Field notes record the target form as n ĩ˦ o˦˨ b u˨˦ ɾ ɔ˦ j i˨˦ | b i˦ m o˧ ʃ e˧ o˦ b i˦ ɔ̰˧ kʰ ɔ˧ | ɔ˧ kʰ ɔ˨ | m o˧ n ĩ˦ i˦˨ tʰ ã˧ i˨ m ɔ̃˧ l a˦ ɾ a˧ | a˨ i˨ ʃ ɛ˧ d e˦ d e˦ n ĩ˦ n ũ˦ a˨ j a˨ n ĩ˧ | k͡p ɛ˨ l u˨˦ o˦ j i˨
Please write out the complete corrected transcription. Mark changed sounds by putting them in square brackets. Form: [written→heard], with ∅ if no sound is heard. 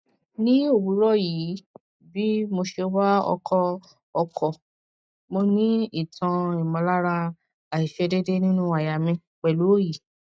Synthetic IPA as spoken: n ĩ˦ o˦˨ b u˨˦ ɾ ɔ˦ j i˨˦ | b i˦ m o˧ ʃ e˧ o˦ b [i˦→a˦] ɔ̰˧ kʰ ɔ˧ | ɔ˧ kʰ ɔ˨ | m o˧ n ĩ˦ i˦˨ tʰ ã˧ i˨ m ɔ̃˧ l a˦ ɾ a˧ | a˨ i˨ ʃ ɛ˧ d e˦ d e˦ n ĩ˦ n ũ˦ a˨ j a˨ [n→m] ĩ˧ | k͡p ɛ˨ l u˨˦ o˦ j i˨